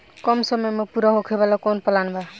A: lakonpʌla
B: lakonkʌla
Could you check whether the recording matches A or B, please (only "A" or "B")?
A